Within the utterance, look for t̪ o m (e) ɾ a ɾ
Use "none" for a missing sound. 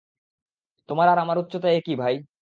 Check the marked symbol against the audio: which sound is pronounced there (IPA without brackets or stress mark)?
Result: a